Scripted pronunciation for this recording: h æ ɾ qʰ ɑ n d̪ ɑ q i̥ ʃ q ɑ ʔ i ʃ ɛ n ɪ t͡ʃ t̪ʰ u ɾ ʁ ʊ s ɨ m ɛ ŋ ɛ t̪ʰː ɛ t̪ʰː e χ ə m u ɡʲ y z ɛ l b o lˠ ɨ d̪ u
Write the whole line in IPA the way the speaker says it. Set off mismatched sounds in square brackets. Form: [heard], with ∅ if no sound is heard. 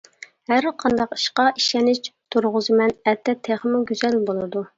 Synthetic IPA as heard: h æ ɾ qʰ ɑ n d̪ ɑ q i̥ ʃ q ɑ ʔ i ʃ ɛ n ɪ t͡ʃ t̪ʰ u ɾ ʁ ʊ [z] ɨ m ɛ [n] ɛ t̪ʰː ɛ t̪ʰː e χ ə m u ɡʲ y z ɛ l b o lˠ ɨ d̪ u